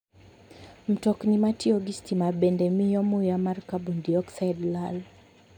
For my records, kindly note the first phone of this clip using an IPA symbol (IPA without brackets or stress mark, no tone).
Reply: m̩